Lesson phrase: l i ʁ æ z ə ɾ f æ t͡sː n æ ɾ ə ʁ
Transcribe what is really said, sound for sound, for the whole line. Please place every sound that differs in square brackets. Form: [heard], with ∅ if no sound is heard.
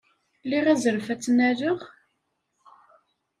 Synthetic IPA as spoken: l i ʁ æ z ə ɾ f æ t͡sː n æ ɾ ə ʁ